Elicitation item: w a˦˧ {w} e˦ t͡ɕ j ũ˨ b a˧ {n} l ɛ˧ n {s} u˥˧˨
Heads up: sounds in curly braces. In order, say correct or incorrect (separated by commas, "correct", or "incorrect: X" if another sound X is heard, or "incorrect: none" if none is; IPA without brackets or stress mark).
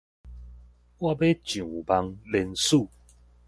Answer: incorrect: b, incorrect: ŋ, correct